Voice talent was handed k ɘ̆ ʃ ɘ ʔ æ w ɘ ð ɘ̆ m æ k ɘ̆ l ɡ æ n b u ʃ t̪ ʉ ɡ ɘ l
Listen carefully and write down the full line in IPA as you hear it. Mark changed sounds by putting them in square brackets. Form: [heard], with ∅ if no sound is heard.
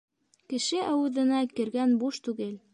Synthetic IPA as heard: k ɘ̆ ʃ ɘ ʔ æ w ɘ ð ɘ̆ [n] æ k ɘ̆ [ɾ] ɡ æ n b u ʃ t̪ ʉ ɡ ɘ l

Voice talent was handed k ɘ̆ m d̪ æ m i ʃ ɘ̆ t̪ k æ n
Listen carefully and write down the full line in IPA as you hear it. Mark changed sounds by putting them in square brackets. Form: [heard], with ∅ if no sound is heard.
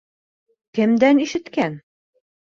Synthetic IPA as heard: k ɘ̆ m d̪ æ [n] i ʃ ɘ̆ t̪ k æ n

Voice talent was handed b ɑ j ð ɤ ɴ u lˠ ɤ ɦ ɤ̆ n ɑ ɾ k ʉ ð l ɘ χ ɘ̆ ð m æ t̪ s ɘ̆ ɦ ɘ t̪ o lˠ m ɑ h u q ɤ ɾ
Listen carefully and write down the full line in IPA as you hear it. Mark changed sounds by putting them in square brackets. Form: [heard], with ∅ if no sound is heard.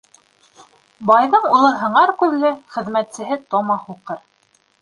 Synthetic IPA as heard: b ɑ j ð ɤ ɴ u lˠ ɤ ɦ ɤ̆ [ɴ] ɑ ɾ k ʉ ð l ɘ χ ɘ̆ ð m æ t̪ s ɘ̆ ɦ ɘ t̪ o [∅] m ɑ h u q ɤ ɾ

